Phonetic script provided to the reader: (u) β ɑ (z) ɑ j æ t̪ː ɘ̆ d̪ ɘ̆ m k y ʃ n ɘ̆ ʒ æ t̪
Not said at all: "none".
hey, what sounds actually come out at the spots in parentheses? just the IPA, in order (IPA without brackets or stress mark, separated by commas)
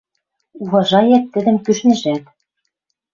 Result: u, ʒ